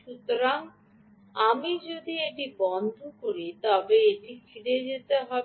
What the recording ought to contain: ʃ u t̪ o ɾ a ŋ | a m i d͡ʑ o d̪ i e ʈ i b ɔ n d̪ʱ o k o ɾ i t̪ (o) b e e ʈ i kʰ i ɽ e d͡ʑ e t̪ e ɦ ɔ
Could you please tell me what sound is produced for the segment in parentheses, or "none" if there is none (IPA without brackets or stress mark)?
ɔ